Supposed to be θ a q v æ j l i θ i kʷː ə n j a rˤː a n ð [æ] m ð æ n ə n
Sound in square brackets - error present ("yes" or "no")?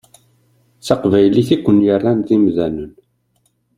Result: yes